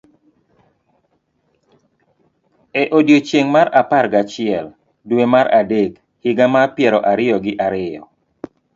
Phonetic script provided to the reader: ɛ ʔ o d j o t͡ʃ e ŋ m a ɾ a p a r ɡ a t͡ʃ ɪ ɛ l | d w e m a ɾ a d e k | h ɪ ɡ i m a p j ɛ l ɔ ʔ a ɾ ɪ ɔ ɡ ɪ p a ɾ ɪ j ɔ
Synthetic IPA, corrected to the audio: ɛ ʔ o d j o t͡ʃ e ŋ m a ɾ a p a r ɡ a t͡ʃ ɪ ɛ l | d w e m a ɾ a d e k | h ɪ ɡ a m a p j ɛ ɾ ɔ ʔ a ɾ ɪ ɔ ɡ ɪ ʔ a ɾ ɪ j ɔ